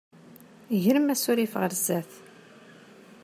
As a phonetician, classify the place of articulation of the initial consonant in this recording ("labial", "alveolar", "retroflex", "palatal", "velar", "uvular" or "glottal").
palatal